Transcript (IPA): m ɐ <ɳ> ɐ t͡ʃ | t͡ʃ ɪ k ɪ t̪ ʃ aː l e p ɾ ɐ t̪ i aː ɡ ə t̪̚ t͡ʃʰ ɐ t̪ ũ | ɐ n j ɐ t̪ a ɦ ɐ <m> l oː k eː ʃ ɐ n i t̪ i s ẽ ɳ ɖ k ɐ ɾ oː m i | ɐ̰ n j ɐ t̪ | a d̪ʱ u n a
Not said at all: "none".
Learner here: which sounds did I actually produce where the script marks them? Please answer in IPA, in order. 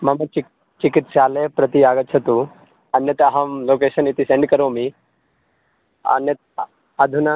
m, m

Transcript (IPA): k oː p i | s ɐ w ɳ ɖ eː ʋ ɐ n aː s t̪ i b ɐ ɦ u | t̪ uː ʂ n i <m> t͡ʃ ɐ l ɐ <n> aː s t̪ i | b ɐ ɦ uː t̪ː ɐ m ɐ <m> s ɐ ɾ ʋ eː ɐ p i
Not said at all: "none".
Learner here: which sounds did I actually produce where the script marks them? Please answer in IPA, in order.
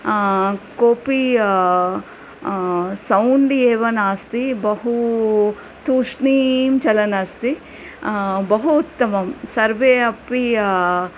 m, n, m

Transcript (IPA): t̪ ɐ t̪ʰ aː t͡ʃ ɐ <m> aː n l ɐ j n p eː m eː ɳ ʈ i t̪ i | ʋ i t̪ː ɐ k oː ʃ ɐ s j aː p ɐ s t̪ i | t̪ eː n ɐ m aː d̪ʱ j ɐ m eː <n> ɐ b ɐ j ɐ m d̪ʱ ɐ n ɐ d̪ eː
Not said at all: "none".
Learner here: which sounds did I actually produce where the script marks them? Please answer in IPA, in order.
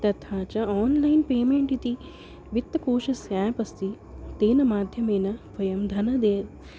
none, n

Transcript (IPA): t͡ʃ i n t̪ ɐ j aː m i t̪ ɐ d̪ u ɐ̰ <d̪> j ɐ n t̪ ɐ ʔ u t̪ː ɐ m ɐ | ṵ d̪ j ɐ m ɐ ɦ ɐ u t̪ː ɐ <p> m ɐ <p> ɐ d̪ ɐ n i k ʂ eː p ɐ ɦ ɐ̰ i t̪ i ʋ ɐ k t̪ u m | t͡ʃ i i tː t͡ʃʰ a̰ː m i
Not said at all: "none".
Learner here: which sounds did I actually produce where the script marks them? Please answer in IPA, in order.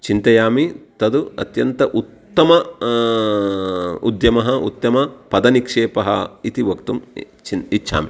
t̪, none, p

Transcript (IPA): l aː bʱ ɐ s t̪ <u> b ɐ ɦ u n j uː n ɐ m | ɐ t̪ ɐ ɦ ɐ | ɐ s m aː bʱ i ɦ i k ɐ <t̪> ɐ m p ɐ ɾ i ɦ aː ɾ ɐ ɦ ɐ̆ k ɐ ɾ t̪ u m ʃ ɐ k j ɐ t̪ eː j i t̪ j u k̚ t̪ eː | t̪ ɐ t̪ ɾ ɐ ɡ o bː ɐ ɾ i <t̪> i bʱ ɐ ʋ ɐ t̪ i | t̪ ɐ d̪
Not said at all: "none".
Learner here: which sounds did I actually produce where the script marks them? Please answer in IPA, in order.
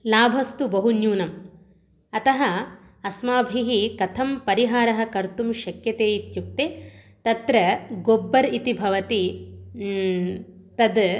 u, t̪ʰ, t̪

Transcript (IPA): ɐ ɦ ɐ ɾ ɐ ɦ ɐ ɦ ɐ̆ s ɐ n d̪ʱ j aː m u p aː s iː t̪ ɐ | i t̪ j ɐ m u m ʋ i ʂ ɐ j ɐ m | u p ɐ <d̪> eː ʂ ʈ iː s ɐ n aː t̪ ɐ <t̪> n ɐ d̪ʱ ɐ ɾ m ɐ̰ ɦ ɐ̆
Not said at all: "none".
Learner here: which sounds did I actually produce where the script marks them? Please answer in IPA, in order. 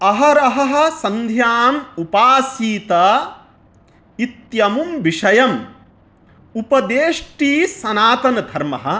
d̪, none

